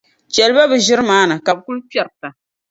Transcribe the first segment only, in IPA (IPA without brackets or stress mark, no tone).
t͡ʃ